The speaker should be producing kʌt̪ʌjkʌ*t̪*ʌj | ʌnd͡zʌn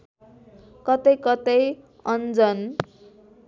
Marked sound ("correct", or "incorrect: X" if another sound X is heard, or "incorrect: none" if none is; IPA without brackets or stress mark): correct